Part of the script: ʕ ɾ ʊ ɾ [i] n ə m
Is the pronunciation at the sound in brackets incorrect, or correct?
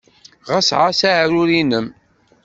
correct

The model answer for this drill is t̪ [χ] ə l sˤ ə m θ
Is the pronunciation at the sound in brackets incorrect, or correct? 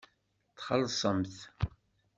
correct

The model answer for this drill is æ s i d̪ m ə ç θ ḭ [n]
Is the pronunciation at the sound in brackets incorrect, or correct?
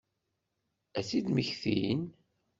correct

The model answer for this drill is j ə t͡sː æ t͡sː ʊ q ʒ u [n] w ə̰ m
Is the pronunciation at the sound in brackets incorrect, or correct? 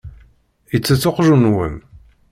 correct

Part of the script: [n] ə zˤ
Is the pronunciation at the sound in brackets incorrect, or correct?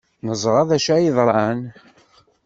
correct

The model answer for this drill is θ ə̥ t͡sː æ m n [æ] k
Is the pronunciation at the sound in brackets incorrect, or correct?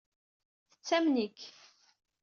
incorrect: i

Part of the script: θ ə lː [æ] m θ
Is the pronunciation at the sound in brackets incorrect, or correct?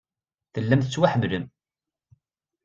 correct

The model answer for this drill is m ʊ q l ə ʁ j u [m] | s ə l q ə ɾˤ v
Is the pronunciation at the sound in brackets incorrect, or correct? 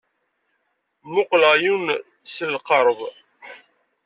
incorrect: n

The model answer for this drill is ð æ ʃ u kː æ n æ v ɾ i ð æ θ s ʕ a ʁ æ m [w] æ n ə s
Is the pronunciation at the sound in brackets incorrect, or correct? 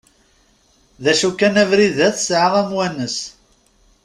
correct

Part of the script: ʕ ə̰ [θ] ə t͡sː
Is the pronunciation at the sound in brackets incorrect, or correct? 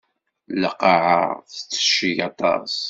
correct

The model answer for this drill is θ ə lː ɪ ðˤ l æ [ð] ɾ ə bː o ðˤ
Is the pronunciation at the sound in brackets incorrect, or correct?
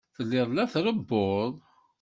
incorrect: θ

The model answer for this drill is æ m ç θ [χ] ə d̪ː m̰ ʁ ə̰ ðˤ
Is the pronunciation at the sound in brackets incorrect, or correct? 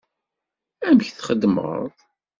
correct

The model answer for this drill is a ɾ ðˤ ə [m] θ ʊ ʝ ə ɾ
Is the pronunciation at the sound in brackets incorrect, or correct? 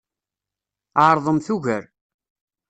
correct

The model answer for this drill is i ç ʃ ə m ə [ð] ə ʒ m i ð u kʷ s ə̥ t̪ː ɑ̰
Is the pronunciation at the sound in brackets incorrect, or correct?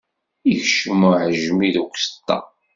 incorrect: ʕ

